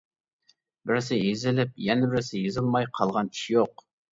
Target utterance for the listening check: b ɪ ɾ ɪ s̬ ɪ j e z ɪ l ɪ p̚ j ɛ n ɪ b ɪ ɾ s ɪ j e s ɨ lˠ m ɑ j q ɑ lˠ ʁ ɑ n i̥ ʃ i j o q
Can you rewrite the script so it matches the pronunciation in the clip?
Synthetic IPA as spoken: b ɪ ɾ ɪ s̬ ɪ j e z ɪ l ɪ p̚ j ɛ n ɪ b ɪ ɾ s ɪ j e z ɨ lˠ m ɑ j qʰ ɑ lˠ ʁ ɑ n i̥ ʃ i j o q